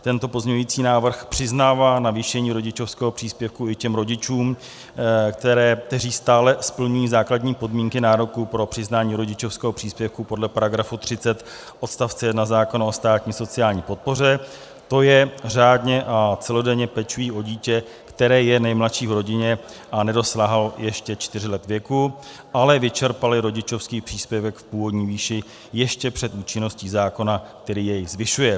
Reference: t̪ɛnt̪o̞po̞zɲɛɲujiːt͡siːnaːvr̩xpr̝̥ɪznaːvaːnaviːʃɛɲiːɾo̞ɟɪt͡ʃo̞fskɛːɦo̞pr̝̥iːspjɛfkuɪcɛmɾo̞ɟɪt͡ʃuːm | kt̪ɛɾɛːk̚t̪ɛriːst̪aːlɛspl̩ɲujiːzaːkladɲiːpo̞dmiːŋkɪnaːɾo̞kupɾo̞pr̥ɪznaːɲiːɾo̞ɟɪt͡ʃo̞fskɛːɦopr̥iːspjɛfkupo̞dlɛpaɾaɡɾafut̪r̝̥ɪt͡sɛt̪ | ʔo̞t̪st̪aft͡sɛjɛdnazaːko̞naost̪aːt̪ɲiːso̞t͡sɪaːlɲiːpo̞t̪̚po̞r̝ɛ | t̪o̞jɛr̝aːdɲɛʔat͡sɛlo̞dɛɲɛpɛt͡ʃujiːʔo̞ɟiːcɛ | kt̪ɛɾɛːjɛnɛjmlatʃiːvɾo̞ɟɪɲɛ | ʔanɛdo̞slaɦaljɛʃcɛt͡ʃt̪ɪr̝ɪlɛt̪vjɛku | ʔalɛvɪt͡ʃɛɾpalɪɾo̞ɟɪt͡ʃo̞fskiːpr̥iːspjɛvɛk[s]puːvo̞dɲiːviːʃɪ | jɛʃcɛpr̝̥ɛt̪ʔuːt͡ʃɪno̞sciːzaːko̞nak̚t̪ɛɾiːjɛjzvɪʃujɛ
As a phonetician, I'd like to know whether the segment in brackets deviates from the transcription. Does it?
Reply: yes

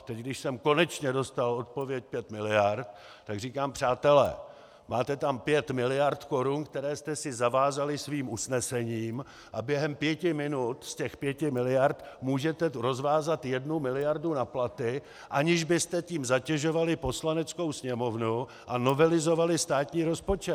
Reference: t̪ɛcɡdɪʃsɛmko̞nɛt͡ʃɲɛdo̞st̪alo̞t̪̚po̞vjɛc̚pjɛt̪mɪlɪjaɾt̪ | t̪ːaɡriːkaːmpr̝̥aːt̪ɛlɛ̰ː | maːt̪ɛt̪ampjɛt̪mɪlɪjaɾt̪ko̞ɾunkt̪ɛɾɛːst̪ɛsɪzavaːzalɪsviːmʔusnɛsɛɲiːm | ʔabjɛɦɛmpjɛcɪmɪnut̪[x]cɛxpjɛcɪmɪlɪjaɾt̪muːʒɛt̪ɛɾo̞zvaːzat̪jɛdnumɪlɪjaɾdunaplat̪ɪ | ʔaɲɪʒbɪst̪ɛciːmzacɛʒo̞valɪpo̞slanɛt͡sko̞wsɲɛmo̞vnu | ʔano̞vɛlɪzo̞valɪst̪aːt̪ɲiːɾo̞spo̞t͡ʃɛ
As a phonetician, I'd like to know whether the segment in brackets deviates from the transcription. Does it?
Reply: yes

